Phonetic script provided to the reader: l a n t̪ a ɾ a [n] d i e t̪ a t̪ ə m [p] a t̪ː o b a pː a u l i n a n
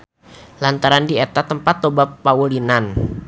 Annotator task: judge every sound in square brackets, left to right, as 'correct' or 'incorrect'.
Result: correct, correct

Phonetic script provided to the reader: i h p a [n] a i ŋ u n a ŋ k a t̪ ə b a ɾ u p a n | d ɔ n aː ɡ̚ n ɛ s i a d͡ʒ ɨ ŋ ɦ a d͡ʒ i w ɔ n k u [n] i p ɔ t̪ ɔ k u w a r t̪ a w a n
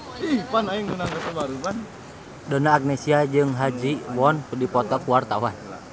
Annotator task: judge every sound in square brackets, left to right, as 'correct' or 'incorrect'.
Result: correct, incorrect: d

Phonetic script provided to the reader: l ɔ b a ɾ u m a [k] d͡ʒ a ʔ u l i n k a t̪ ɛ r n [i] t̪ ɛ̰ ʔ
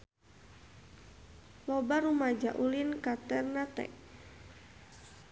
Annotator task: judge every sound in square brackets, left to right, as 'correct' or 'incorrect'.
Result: incorrect: none, incorrect: a

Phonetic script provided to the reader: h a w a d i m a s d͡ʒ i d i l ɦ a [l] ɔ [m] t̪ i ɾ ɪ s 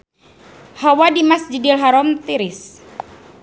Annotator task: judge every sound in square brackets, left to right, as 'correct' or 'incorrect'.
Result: incorrect: ɾ, correct

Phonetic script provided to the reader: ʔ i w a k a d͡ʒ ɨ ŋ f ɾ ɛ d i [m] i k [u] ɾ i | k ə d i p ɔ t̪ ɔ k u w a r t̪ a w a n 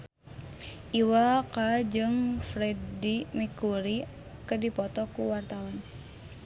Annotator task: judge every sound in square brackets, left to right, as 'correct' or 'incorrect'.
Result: correct, correct

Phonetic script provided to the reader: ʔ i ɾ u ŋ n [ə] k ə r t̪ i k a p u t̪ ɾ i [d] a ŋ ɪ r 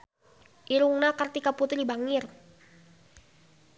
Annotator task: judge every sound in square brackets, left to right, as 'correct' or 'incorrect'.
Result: incorrect: a, incorrect: b

